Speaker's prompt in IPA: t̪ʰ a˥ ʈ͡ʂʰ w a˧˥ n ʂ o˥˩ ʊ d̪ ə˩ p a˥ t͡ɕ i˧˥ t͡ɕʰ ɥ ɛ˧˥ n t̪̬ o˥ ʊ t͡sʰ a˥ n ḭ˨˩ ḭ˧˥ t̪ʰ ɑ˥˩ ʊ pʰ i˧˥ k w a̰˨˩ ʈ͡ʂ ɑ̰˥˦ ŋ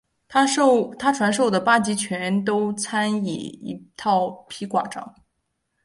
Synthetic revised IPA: t̪ʰ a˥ ʈ͡ʂʰ w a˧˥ n ʂ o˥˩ ʊ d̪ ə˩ p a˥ t͡ɕ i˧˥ t͡ɕʰ ɥ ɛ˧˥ n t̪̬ o˥ ʊ t͡sʰ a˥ n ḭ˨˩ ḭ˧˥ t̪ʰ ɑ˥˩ ʊ pʰ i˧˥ k w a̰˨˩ ʈ͡ʂ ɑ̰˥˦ ŋ